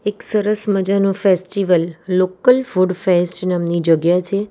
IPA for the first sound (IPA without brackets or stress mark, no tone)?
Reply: e